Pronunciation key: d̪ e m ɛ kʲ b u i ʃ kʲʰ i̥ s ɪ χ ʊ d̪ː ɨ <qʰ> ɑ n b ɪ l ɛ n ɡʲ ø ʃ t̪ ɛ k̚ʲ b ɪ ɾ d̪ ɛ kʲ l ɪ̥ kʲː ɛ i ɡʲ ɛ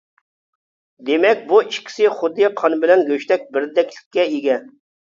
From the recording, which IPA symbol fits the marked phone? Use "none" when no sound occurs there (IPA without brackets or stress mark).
qʰ